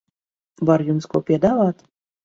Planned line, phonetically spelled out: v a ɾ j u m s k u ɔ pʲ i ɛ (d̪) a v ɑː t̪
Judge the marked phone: correct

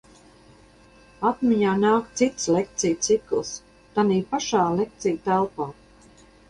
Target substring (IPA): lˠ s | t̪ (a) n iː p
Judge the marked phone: correct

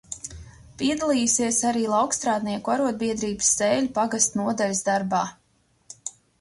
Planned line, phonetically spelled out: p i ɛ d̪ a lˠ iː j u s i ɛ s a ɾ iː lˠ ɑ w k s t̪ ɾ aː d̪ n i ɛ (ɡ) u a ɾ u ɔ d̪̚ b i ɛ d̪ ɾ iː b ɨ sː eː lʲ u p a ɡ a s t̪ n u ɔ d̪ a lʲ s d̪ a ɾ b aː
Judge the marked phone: incorrect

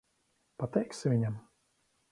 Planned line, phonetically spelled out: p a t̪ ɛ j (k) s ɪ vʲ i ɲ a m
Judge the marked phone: correct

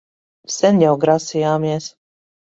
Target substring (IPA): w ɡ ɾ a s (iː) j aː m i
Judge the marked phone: incorrect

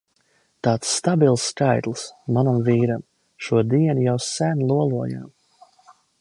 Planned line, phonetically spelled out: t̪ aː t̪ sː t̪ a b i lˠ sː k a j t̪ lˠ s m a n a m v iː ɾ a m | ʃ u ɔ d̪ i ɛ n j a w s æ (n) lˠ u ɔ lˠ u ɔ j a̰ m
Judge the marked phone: correct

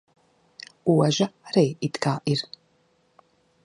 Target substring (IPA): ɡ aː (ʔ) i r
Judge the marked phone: correct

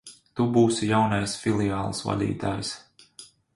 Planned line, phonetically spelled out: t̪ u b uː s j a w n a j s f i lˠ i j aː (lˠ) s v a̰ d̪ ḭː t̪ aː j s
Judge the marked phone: correct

